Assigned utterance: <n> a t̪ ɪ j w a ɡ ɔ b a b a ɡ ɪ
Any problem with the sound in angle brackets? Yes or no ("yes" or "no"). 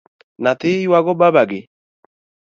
no